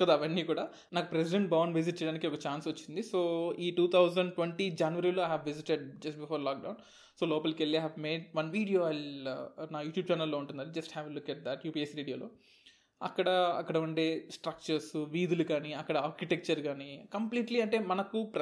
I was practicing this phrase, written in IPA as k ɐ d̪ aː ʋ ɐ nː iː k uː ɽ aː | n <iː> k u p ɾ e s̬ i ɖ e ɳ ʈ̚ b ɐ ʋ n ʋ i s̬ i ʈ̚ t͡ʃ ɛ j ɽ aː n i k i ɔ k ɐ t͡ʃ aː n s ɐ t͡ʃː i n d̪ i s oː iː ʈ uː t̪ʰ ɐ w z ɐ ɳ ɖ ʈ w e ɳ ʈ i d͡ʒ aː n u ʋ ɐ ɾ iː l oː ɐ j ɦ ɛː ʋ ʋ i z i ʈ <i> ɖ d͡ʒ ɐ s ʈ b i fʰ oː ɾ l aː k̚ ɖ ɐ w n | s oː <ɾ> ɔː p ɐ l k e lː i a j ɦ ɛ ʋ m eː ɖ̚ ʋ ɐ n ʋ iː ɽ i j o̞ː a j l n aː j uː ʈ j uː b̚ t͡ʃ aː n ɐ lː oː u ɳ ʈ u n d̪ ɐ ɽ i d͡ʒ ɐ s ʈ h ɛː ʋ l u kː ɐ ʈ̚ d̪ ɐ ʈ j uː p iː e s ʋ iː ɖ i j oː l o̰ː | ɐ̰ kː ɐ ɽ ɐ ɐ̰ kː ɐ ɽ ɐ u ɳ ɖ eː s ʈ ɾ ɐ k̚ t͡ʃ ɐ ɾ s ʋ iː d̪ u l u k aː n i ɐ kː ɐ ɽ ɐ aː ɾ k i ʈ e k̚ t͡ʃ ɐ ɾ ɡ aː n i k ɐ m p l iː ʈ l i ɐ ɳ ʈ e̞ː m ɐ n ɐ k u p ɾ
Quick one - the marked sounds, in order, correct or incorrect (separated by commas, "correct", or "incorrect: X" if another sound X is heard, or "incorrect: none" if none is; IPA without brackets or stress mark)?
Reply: incorrect: aː, incorrect: e, incorrect: l